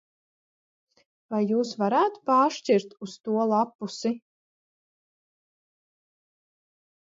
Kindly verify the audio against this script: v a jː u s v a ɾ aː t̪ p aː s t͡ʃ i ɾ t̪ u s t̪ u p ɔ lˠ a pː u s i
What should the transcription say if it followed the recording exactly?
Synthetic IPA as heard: v a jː uː s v a ɾ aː t̪ p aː ʃ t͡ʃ i ɾ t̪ u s t̪ u ɔ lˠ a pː u s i